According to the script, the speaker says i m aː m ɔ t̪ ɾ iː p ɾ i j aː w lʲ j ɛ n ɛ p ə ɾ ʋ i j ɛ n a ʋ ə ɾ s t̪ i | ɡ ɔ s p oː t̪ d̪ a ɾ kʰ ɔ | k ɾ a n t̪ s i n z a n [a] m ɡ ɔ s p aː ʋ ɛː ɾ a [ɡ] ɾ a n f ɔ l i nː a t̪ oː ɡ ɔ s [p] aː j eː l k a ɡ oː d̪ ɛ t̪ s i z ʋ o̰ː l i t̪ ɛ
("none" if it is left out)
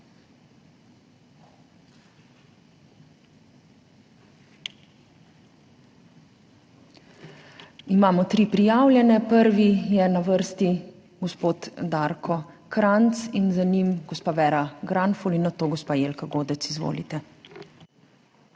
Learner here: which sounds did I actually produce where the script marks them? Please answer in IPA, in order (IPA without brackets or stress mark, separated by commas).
i, ɡ, p